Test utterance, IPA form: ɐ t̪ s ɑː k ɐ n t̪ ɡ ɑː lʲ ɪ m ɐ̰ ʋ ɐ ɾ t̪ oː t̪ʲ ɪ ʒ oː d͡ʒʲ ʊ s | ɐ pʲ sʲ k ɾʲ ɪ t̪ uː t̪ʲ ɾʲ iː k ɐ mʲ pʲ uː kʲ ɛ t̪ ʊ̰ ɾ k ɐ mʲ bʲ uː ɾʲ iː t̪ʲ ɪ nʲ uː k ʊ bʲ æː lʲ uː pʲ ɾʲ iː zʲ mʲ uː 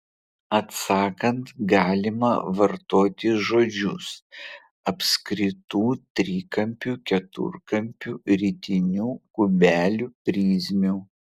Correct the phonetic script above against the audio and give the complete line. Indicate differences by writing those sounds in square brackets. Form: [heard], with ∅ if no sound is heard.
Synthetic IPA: ɐ t̪ s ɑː k ɐ n t̪ ɡ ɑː lʲ ɪ m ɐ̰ ʋ ɐ ɾ t̪ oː t̪ʲ ɪ ʒ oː d͡ʒʲ ʊ s | ɐ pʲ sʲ k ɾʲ ɪ t̪ uː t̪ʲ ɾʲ iː k ɐ mʲ pʲ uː kʲ ɛ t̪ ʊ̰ ɾ k ɐ mʲ [pʲ] uː ɾʲ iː t̪ʲ ɪ nʲ uː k ʊ bʲ æː lʲ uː pʲ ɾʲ iː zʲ mʲ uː

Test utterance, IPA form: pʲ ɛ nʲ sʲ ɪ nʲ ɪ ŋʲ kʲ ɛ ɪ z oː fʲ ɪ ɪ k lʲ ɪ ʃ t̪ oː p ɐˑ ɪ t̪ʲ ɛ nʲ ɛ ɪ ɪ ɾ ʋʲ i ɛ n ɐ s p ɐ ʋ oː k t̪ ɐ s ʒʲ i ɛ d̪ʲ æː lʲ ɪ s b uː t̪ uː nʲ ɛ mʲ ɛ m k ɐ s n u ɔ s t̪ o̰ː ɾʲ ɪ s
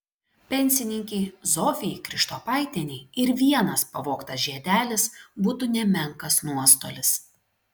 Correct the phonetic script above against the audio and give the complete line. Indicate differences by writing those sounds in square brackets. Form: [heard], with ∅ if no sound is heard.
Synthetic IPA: pʲ ɛ nʲ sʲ ɪ nʲ ɪ ŋʲ kʲ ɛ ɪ z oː fʲ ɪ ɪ k [ɾʲ] ɪ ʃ t̪ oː p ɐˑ ɪ t̪ʲ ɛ nʲ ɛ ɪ ɪ ɾ ʋʲ i ɛ n ɐ s p ɐ ʋ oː k t̪ ɐ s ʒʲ i ɛ d̪ʲ æː lʲ ɪ s b uː t̪ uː nʲ ɛ mʲ ɛ [ŋ] k ɐ s n u ɔ s t̪ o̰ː [lʲ] ɪ s

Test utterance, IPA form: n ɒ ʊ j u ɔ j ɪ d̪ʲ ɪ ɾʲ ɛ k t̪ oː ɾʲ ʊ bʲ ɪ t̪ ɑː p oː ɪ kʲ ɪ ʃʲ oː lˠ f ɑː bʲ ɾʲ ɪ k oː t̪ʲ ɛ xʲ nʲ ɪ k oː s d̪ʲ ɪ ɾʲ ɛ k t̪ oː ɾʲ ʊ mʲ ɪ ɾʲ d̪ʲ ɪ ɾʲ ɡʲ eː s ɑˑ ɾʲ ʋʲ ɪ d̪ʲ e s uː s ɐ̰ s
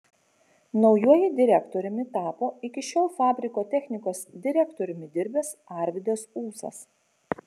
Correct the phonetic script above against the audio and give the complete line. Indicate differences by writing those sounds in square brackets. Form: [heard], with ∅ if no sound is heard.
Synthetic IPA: n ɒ ʊ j u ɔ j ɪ d̪ʲ ɪ ɾʲ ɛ k t̪ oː ɾʲ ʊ [mʲ] ɪ t̪ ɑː p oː ɪ kʲ ɪ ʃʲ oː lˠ f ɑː bʲ ɾʲ ɪ k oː t̪ʲ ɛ xʲ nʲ ɪ k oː s d̪ʲ ɪ ɾʲ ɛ k t̪ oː ɾʲ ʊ mʲ ɪ [∅] d̪ʲ ɪ ɾʲ [bʲ] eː s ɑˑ ɾʲ ʋʲ ɪ d̪ʲ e s uː s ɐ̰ s

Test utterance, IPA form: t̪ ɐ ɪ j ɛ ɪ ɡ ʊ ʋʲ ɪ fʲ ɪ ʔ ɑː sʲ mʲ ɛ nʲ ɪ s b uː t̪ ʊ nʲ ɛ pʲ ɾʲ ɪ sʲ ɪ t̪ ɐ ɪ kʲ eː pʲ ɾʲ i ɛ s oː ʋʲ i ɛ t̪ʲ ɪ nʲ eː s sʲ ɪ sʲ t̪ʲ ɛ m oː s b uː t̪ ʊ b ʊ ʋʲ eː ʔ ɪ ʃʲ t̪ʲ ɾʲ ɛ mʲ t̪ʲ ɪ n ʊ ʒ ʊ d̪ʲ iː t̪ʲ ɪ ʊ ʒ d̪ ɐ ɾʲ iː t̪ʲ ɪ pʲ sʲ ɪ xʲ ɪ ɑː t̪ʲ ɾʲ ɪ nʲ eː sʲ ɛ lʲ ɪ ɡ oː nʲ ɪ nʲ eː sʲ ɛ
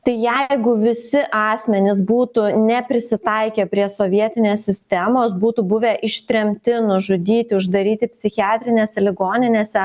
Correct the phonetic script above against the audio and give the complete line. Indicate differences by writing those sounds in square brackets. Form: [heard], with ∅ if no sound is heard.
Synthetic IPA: t̪ ɐ ɪ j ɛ ɪ ɡ ʊ ʋʲ ɪ [sʲ] ɪ ʔ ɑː sʲ mʲ ɛ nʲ ɪ s b uː t̪ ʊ nʲ ɛ pʲ ɾʲ ɪ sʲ ɪ t̪ ɐ ɪ kʲ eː pʲ ɾʲ i ɛ s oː ʋʲ i ɛ t̪ʲ ɪ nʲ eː s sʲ ɪ sʲ t̪ʲ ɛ m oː s b uː t̪ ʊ b ʊ ʋʲ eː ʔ ɪ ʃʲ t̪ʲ ɾʲ ɛ mʲ t̪ʲ ɪ n ʊ ʒ ʊ d̪ʲ iː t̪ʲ ɪ ʊ ʒ d̪ ɐ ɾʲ iː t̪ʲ ɪ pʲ sʲ ɪ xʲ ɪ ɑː t̪ʲ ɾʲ ɪ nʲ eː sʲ ɛ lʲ ɪ ɡ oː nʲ ɪ nʲ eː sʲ ɛ

